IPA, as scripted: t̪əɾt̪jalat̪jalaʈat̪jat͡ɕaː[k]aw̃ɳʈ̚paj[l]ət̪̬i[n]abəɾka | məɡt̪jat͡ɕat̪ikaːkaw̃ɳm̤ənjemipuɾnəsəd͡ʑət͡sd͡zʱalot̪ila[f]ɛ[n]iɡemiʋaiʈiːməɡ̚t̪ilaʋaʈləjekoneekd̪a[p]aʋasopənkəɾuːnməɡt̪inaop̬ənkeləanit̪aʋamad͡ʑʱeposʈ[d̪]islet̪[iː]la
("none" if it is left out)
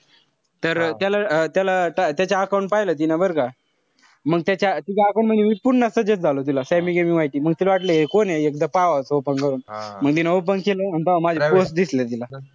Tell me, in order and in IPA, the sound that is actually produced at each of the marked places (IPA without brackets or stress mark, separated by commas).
k, l, n, s, m, p, d̪, i